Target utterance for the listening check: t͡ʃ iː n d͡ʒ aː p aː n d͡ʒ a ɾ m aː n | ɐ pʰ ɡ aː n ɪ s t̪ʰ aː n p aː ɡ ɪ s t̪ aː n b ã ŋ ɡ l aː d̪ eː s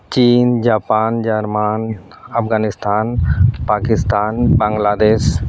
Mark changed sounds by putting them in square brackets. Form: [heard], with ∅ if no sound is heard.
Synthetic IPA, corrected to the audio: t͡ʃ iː n d͡ʒ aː p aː n d͡ʒ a ɾ m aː n | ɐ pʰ ɡ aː n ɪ s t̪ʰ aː n p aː [k] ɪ s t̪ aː n b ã ŋ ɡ l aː d̪ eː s